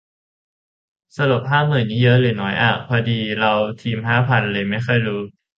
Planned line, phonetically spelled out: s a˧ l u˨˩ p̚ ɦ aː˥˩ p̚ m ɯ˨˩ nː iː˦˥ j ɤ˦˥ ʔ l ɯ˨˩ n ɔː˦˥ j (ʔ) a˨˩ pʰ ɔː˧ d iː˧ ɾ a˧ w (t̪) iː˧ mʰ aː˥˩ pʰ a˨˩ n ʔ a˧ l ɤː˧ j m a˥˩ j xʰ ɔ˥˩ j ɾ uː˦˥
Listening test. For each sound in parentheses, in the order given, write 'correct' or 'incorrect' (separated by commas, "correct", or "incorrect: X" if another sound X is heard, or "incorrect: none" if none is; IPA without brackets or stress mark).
correct, incorrect: t̪ʰ